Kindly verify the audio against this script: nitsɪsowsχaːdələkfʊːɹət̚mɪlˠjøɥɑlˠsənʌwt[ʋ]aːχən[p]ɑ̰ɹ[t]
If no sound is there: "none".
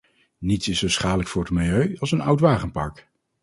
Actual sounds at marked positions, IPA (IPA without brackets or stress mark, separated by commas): ʋ, p, k